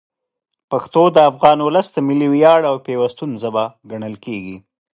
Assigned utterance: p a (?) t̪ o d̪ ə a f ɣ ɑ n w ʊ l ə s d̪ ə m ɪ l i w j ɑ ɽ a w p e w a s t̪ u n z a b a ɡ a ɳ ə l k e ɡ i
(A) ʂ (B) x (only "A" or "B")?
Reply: B